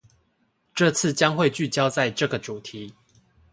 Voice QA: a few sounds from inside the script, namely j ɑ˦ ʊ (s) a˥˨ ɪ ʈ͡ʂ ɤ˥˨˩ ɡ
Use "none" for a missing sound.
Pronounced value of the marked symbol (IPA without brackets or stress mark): t͡s